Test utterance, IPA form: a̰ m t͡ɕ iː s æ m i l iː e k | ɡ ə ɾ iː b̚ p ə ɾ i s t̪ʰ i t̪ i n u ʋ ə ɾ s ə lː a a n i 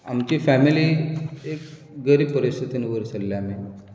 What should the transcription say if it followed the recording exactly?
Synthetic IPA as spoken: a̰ m t͡ɕ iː f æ m i l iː e k | ɡ ə ɾ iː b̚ p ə ɾ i s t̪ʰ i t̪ i n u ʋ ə ɾ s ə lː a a m i